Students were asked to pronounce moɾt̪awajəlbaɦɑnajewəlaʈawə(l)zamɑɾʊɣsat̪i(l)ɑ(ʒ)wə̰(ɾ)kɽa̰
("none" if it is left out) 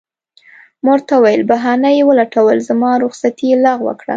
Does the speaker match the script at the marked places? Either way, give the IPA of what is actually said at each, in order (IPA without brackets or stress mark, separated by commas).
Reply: l, l, ɣ, none